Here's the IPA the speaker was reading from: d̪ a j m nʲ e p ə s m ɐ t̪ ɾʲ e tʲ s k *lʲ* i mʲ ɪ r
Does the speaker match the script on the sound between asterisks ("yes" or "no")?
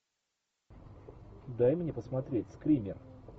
no